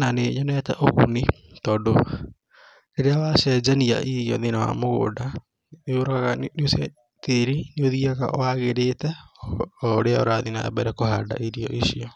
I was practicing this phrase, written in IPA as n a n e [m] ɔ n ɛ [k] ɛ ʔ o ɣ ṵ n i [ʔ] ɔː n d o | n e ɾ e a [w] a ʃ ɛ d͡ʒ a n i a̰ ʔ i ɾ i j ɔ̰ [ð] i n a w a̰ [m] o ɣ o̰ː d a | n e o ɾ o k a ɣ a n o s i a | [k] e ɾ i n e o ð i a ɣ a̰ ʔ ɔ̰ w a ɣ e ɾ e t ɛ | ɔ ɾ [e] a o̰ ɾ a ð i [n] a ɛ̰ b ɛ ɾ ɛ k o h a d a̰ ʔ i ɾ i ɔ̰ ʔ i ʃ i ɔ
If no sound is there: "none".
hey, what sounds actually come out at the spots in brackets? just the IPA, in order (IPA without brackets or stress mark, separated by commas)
ɲ, t, t, w, ð, m, t, e, n